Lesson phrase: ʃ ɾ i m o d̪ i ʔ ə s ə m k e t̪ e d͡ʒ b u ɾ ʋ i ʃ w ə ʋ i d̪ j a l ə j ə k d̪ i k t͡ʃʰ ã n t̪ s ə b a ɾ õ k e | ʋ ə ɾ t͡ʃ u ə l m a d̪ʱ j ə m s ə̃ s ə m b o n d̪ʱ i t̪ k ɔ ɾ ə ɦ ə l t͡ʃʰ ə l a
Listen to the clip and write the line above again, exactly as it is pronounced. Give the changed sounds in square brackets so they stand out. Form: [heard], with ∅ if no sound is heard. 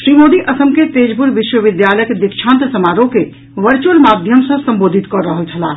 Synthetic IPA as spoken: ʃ ɾ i m o d̪ i ʔ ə s ə m k e t̪ e d͡ʒ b u ɾ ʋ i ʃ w ə ʋ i d̪ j a l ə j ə k d̪ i k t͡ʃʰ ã n t̪ s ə [m] a ɾ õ k e | ʋ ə ɾ t͡ʃ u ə l m a d̪ʱ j ə m s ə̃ s ə m b o [∅] d̪ʱ i t̪ k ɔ ɾ ə ɦ ə l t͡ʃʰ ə l a